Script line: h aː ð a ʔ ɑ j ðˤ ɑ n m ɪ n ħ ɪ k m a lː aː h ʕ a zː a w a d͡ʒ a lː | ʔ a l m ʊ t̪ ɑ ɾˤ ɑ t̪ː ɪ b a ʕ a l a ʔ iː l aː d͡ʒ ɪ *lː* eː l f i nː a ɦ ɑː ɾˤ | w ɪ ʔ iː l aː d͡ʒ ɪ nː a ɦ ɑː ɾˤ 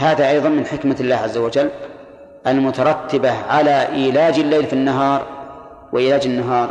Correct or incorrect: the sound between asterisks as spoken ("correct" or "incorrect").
correct